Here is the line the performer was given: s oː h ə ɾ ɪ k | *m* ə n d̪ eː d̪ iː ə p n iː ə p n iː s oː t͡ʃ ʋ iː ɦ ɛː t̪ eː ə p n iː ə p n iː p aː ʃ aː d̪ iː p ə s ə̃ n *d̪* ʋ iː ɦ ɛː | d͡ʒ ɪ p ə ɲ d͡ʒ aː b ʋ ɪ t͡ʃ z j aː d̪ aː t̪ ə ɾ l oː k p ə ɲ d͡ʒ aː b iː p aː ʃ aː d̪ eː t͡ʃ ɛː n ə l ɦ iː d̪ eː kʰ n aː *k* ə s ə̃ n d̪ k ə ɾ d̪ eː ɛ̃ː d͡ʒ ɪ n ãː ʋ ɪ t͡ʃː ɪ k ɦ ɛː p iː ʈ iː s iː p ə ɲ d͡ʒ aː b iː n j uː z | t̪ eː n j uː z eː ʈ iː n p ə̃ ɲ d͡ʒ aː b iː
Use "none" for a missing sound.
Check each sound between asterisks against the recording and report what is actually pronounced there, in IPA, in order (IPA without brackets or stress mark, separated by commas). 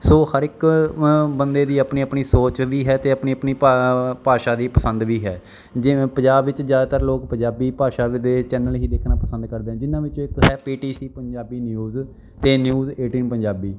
b, d̪, p